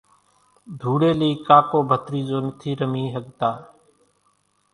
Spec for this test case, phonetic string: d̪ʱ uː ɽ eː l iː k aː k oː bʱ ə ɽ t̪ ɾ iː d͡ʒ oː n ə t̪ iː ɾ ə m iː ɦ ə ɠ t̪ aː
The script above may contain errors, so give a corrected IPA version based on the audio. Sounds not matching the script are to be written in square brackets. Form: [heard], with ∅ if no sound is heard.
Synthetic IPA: d̪ʱ uː ɽ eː l iː k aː k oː bʱ ə [∅] t̪ ɾ iː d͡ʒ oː n ə [t̪ʰ] iː ɾ ə m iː ɦ ə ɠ t̪ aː